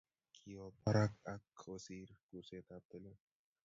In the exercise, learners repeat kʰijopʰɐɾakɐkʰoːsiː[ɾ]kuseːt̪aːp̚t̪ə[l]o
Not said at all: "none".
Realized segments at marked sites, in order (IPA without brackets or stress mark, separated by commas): ɾ, l